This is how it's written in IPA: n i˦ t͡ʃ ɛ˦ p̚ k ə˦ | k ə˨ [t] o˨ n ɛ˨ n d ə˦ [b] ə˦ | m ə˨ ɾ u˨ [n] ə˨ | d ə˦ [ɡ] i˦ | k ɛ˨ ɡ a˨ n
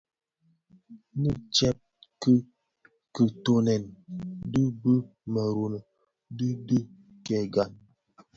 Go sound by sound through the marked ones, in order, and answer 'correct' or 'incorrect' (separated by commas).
correct, correct, correct, incorrect